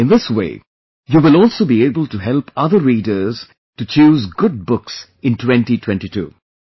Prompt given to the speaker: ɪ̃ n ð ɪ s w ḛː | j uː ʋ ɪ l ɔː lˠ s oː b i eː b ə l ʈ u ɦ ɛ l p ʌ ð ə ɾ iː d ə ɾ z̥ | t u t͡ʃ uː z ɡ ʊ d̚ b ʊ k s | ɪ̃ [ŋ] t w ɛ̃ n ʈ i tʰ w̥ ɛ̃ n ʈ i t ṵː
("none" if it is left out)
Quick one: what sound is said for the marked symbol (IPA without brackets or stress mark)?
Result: n